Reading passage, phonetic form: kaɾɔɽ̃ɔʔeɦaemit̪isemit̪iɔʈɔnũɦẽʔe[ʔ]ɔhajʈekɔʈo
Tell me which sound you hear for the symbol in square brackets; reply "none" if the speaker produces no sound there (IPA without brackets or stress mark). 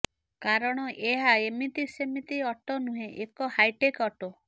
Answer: k